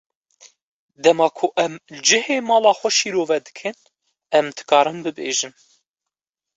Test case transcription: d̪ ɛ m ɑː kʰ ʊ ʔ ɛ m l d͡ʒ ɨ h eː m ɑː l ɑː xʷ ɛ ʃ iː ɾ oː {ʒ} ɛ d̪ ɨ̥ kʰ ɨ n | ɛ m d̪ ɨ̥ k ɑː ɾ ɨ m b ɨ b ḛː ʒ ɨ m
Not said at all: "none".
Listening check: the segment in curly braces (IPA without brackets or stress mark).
v